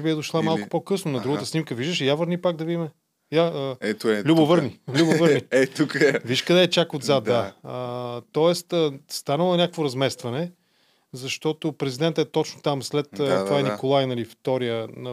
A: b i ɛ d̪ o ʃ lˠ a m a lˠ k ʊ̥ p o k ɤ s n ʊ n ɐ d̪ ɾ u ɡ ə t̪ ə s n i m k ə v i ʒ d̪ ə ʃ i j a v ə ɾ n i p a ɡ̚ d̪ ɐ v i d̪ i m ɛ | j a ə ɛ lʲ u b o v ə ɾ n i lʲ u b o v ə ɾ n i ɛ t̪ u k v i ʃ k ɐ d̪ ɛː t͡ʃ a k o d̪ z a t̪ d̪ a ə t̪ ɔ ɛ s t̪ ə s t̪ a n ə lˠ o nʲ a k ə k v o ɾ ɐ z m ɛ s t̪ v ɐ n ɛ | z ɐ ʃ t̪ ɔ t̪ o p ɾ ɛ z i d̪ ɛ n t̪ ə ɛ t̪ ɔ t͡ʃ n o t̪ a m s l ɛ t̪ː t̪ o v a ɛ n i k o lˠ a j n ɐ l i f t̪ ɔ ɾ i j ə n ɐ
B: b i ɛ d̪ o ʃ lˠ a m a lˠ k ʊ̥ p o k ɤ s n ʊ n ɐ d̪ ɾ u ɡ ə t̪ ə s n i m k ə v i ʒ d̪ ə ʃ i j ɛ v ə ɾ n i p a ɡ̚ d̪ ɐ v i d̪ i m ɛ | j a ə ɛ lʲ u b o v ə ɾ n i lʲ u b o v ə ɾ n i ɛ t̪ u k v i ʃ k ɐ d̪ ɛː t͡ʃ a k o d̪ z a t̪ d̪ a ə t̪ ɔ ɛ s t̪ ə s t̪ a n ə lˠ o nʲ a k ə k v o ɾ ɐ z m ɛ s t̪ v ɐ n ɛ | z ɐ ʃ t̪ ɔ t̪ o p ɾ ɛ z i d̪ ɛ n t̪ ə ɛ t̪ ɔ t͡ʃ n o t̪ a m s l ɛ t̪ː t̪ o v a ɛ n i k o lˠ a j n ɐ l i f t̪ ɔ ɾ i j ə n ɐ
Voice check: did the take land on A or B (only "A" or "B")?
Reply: A